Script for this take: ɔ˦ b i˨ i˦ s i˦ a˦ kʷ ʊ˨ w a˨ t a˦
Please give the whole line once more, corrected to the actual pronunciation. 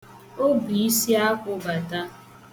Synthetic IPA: o˦ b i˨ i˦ s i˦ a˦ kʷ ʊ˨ b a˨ t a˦